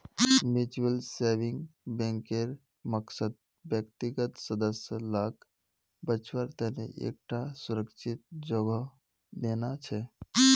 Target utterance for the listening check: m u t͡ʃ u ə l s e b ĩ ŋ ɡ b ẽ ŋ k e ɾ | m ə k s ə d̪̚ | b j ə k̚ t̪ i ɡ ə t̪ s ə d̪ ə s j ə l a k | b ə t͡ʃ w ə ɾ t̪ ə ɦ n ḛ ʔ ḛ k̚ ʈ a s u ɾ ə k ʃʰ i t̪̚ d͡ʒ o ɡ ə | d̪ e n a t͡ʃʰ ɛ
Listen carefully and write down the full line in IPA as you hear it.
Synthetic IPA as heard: m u t͡ʃ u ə l s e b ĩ ŋ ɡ b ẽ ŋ k e ɾ | m ə k s ə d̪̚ | b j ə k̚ t̪ i ɡ ə t̪ s ə d̪ ə s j ə l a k | b ə t͡ʃ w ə ɾ t̪ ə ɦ n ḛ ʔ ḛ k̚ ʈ a s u ɾ ə k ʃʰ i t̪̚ d͡ʒ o ɡ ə | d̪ e n a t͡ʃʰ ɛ